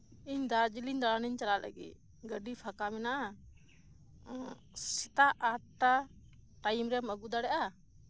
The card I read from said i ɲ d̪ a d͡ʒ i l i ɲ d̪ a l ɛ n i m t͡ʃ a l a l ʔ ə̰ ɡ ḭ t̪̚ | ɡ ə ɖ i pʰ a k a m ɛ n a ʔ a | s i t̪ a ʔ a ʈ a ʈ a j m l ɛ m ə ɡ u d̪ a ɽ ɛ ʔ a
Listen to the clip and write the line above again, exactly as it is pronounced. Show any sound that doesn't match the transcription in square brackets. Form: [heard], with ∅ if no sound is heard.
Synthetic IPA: i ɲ d̪ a d͡ʒ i l i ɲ d̪ a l [a] n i [ɲ] t͡ʃ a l a l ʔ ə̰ ɡ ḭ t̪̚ | ɡ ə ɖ i pʰ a k a m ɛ n a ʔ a | s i t̪ a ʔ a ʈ a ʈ a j m [ɾ] ɛ m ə ɡ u d̪ a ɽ ɛ ʔ a